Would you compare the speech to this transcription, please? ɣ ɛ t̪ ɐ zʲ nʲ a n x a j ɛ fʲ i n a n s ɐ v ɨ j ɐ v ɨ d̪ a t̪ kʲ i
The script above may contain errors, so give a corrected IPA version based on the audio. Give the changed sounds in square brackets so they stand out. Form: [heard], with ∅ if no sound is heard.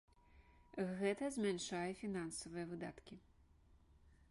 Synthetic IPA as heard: ɣ ɛ t̪ ɐ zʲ [mʲ] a n [ʂ] a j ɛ fʲ i n a n s ɐ v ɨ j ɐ v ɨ d̪ a t̪ kʲ i